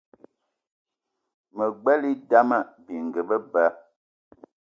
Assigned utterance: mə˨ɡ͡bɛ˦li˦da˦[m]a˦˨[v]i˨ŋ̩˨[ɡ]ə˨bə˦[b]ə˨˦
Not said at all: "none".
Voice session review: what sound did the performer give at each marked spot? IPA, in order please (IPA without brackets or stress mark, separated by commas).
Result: m, b, ɡ, b